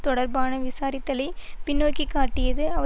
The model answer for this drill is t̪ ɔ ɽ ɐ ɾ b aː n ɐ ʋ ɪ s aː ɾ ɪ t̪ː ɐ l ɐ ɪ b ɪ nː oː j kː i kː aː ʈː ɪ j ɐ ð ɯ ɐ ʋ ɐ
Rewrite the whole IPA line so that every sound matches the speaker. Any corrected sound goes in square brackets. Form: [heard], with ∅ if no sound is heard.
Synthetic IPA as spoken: t̪ ɔ ɽ ɐ ɾ b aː n ɐ ʋ ɪ s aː ɾ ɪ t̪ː ɐ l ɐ ɪ [p] ɪ nː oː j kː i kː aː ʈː ɪ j ɐ ð ɯ ɐ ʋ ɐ